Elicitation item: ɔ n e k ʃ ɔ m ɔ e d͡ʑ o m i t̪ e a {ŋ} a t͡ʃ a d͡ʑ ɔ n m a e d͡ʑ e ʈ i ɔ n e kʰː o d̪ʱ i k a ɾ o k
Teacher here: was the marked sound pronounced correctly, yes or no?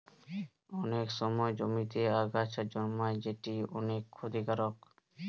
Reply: no